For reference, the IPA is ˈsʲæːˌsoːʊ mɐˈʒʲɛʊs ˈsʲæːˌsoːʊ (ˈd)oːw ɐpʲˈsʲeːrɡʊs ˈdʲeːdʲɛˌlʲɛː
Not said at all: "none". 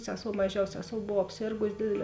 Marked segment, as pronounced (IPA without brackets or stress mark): b